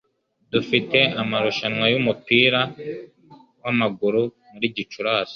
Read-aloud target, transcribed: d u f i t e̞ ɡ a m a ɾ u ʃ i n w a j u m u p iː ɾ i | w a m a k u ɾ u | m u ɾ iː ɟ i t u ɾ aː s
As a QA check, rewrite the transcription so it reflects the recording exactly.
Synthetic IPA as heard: d u f i t e̞ a m a ɾ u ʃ a n w a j u m u p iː ɾ a | w a m a ɡ u ɾ u | m u ɾ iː ɟ i t͡ʃ u ɾ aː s

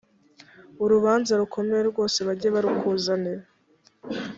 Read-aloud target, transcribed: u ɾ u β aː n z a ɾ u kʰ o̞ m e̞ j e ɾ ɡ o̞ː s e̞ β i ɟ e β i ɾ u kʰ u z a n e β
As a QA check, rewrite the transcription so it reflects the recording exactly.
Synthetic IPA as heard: u ɾ u β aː n z a ɾ u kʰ o̞ m e̞ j e ɾ ɡ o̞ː s e̞ β a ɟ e β a ɾ u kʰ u z a n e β

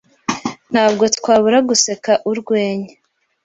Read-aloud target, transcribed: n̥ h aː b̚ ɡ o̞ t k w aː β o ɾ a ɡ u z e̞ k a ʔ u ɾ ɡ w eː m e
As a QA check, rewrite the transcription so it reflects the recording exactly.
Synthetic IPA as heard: n̥ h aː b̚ ɡ o̞ t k w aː β u ɾ a ɡ u s e̞ k a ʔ u ɾ ɡ w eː ɲ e

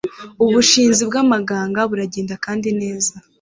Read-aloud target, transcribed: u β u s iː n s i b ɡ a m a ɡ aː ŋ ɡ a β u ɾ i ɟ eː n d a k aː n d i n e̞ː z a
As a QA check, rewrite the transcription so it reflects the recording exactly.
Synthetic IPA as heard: u β u ʃ iː n z i b ɡ a m a ɡ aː ŋ ɡ a β u ɾ a ɟ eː n d a k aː n d i n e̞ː z a

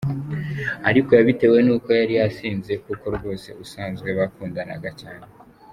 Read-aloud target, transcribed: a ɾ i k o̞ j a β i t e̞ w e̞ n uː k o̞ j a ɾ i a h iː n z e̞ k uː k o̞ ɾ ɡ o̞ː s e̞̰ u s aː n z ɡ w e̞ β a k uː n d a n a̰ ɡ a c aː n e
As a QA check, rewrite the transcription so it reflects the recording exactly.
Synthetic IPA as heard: a ɾ i k o̞ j a β i t e̞ w e̞ n uː k o̞ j a ɾ i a s iː n z e̞ k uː k o̞ ɾ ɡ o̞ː s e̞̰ u s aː n z ɡ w e̞ β a k uː n d a n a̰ ɡ a c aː n e

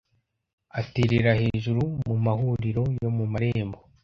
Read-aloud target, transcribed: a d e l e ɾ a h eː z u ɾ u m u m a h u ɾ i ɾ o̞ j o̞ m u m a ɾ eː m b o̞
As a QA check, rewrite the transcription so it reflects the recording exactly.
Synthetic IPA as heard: a t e ɾ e ɾ a h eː ʒ u ɾ u m u m a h u ɾ i ɾ o̞ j o̞ m u m a ɾ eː m b o̞

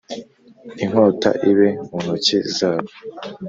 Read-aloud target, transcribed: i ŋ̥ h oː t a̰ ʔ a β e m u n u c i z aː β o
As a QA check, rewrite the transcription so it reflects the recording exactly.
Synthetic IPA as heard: i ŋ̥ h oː t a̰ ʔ i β e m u n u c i z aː β o

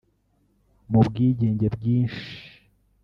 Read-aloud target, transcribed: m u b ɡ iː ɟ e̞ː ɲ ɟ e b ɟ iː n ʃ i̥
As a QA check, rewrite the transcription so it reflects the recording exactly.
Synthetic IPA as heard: m u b ɡ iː ɟ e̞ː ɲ ɟ e b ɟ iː n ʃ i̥

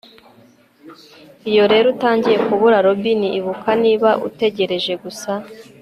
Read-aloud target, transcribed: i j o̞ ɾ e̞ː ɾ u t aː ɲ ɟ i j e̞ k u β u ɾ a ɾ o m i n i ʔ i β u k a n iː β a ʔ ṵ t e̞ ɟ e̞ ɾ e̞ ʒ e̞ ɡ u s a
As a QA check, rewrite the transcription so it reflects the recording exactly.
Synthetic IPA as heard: i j o̞ ɾ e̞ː ɾ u t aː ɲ ɟ i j e̞ k u β u ɾ a ɾ o b i n i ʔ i β u k a n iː β a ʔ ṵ t e̞ ɟ e̞ ɾ e̞ ʒ e̞ ɡ u s a

